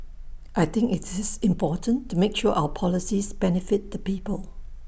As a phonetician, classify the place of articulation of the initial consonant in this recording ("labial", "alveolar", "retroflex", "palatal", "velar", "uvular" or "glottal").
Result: glottal